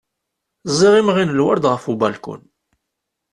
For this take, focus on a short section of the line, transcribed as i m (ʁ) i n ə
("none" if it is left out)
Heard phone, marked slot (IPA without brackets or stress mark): ʁ